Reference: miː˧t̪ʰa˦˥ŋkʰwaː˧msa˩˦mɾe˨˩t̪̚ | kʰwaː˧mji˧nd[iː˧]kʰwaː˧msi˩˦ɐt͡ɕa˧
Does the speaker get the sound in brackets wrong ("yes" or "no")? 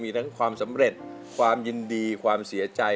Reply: no